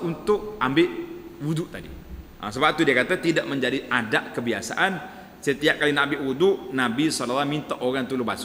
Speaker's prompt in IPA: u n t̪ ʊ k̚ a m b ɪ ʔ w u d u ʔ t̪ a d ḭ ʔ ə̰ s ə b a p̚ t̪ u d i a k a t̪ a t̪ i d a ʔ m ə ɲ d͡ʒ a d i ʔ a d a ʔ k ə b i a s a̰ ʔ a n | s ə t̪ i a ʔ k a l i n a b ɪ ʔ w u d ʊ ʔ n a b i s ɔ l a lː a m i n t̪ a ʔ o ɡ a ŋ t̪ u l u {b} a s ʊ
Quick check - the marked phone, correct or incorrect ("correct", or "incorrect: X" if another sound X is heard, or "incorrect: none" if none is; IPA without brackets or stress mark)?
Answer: correct